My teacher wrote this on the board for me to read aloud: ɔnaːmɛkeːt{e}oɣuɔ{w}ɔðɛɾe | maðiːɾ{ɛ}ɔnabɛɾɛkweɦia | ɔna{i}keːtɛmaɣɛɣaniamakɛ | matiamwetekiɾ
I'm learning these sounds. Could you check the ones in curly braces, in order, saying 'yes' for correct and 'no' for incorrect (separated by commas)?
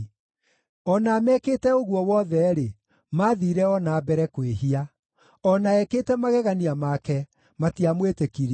no, yes, yes, no